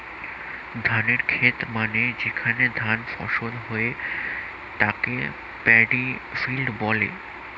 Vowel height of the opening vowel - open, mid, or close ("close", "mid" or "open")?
open